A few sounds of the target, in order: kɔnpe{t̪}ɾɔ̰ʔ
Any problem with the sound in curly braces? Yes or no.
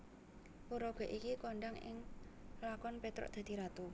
no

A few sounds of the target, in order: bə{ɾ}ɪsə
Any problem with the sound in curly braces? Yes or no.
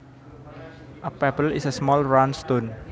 yes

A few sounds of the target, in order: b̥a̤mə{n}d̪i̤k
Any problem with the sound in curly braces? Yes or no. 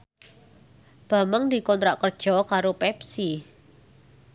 yes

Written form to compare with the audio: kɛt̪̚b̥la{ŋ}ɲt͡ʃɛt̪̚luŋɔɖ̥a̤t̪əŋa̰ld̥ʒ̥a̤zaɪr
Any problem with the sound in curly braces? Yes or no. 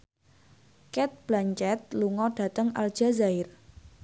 yes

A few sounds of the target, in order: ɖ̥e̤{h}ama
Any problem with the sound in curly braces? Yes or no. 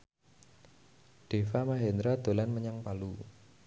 yes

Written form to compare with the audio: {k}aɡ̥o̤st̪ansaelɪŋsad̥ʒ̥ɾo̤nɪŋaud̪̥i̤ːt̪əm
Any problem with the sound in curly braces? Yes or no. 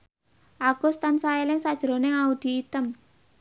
yes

